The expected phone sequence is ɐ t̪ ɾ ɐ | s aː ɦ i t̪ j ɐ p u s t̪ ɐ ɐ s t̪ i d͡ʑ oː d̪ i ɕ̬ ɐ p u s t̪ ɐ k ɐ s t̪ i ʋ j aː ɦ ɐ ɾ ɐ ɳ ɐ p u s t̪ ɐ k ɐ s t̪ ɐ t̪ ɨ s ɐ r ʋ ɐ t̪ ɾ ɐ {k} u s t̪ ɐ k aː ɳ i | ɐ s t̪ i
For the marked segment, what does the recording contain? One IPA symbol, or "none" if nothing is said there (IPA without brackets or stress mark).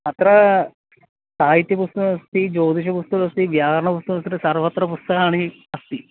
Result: p